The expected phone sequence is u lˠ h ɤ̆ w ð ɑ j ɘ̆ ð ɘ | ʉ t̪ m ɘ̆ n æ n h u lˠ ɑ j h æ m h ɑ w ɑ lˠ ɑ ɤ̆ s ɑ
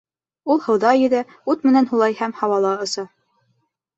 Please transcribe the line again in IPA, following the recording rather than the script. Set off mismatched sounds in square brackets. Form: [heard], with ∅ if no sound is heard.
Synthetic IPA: u lˠ h ɤ̆ w ð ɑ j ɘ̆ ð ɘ | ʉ t̪ m ɘ̆ n æ n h u lˠ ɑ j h æ m h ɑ w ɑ lˠ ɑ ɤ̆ s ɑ